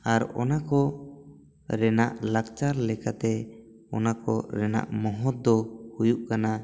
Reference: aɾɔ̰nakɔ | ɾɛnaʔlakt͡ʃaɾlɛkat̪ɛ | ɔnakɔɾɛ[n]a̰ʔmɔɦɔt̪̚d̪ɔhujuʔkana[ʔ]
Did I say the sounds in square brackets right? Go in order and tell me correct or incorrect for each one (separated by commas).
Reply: correct, incorrect